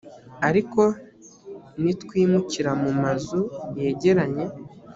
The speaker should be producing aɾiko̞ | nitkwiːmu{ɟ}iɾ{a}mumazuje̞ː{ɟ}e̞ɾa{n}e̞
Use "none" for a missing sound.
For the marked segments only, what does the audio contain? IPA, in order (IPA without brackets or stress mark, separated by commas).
c, a, ɟ, ɲ